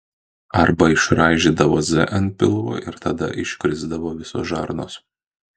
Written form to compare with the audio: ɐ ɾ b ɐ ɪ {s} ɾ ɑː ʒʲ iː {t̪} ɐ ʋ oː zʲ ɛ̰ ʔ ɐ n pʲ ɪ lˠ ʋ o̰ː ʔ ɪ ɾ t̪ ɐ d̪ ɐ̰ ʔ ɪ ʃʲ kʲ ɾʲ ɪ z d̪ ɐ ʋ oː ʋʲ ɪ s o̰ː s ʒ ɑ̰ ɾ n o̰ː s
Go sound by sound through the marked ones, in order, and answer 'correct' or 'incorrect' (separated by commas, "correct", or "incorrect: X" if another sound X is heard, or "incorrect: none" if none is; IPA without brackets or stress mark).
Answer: incorrect: ʃ, incorrect: d̪